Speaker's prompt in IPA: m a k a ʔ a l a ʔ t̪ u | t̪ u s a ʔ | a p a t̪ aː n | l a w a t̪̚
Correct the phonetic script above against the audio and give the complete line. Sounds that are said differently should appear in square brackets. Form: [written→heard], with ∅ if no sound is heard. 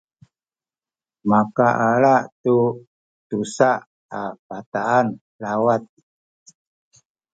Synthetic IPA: m a k a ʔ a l a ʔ t̪ u | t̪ u s a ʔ | a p a t̪ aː n | l a w a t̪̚